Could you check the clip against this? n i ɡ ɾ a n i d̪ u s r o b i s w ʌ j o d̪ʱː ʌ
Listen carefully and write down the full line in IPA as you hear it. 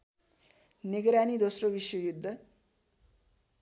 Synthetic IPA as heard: n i ɡ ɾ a n i d̪ o s r o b i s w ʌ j u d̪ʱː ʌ